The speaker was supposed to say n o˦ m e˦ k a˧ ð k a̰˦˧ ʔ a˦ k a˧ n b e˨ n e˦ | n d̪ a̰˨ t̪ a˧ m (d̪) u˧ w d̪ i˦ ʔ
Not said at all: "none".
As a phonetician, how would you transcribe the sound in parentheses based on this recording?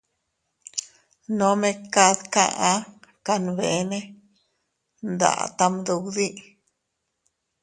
d̪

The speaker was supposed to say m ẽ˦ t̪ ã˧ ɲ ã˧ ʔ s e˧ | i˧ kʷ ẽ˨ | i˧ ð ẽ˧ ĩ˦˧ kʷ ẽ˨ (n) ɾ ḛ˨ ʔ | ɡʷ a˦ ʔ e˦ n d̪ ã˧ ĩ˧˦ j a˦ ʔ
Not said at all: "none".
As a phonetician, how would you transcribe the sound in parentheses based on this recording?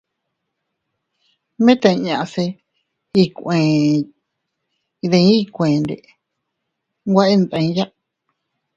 n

